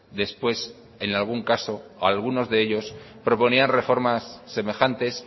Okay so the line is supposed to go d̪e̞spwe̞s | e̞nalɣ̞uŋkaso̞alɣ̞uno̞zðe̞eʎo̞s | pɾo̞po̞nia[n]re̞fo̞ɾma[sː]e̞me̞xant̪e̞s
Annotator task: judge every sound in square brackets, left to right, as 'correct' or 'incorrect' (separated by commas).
correct, correct